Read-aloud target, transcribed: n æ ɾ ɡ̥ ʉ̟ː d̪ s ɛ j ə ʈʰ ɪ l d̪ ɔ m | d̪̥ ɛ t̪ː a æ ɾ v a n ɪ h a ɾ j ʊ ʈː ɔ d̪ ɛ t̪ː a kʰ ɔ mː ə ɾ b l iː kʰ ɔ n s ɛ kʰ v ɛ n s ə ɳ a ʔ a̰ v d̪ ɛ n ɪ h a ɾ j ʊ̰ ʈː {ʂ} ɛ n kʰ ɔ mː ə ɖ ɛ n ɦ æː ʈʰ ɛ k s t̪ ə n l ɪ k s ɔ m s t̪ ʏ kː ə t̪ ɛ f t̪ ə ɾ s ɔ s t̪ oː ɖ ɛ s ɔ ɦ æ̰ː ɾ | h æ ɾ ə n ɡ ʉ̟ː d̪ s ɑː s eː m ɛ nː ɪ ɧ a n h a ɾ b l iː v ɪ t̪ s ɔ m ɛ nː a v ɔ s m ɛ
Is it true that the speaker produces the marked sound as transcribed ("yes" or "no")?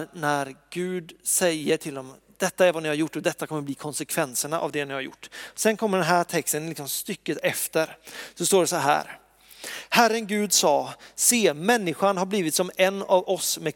no